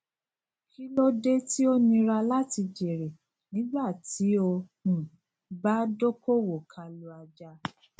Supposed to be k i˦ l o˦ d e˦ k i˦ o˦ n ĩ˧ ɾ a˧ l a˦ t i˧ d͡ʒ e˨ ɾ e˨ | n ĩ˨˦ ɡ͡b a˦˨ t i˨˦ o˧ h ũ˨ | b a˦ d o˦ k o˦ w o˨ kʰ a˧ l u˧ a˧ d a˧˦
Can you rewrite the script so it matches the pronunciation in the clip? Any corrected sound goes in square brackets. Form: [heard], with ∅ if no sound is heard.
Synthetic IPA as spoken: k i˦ l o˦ d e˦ [t] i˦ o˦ n ĩ˧ ɾ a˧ l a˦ t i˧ d͡ʒ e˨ ɾ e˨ | n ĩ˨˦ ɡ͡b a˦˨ t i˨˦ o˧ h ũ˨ | b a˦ d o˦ k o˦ w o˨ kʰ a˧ l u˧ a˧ [d͡ʒ] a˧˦